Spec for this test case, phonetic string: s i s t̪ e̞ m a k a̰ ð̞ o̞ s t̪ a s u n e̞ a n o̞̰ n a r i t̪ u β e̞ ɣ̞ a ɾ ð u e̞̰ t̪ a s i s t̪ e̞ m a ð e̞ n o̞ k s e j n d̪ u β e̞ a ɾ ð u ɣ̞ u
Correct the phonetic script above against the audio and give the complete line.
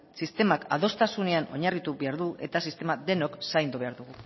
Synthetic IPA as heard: s i s t̪ e̞ m a k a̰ ð̞ o̞ s t̪ a s u n e̞ a n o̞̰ ɲ a r i t̪ u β e̞ a ɾ ð u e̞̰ t̪ a s i s t̪ e̞ m a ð e̞ n o̞ k s a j n d̪ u β e̞ a ɾ ð u ɣ̞ u